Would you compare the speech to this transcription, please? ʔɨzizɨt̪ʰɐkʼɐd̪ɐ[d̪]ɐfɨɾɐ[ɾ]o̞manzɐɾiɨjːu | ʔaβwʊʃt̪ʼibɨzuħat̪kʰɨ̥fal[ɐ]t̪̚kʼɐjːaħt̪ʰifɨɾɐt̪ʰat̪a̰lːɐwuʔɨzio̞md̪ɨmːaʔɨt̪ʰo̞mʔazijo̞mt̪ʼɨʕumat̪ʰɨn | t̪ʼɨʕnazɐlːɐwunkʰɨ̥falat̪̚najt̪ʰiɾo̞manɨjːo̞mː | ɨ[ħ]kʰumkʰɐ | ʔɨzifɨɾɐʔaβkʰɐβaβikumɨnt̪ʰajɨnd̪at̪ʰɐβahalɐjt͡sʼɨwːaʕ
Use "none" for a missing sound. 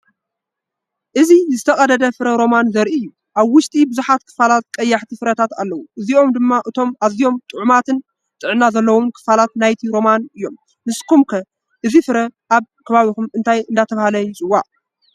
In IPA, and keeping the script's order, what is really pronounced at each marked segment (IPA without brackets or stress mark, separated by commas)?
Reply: d̪, ɾ, a, s